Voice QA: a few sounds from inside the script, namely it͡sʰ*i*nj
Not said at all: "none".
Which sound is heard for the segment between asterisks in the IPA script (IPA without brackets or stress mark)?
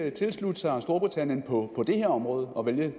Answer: æ